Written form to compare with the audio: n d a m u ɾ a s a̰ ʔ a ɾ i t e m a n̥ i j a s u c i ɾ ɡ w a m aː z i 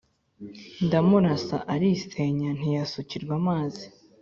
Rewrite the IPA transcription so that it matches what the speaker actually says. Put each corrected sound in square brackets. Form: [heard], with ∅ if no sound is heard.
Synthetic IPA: n d a m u ɾ a s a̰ ʔ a ɾ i [s] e [ɲ] a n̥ i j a s u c i ɾ ɡ w a m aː z i